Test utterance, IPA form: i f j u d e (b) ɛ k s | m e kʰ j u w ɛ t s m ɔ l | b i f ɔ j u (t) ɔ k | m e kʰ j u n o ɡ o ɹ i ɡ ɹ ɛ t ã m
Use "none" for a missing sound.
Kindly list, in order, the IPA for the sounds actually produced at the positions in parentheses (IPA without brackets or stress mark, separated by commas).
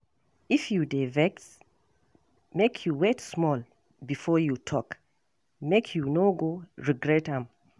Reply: v, tʰ